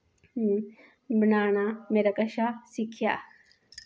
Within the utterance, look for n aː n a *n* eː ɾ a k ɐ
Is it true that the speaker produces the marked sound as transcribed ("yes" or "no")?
no